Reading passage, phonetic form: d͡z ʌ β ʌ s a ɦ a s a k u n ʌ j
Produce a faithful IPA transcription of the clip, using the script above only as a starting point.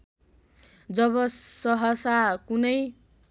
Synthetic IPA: d͡z ʌ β ʌ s ʌ ɦ ʌ s a k u n ʌ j